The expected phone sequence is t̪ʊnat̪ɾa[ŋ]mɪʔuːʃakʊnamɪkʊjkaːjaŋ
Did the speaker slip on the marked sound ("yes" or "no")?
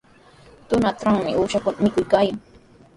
no